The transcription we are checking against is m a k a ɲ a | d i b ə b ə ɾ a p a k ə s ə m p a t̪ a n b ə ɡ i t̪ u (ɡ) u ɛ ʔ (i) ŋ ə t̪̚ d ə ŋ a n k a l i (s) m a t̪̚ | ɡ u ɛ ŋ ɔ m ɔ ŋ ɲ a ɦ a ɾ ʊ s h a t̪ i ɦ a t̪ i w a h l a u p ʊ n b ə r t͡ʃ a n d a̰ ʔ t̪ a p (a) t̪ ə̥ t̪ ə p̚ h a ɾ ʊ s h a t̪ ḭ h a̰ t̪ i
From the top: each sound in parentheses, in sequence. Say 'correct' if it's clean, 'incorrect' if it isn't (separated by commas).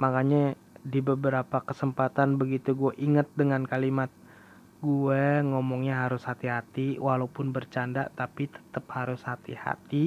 correct, correct, incorrect, incorrect